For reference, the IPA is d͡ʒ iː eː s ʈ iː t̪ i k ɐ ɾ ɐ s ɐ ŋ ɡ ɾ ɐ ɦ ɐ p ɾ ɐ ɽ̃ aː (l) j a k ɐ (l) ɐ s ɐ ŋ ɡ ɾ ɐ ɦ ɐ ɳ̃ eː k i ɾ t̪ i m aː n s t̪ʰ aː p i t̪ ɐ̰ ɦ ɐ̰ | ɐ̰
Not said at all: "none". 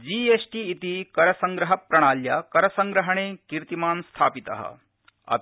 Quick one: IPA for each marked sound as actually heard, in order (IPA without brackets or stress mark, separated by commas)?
l, ɾ